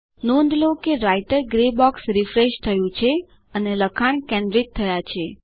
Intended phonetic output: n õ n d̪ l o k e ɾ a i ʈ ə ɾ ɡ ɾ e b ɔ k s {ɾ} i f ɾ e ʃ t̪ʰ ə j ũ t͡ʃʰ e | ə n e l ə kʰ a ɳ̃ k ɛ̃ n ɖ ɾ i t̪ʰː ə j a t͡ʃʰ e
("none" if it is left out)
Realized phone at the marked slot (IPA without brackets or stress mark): ɾ